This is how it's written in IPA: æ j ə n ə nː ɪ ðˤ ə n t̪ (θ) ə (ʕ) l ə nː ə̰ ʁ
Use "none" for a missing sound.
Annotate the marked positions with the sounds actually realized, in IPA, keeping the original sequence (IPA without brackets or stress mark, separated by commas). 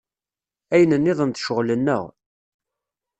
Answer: ʃ, ʁ